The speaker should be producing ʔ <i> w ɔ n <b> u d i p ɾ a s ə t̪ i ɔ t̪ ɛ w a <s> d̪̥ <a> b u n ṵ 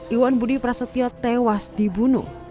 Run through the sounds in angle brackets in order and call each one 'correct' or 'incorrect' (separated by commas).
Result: correct, correct, correct, incorrect